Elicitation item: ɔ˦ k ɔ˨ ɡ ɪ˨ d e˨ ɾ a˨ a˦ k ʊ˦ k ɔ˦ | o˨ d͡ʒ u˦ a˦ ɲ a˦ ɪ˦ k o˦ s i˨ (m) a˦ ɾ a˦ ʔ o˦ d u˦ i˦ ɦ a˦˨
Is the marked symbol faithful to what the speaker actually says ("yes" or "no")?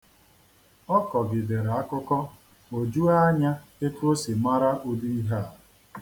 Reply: yes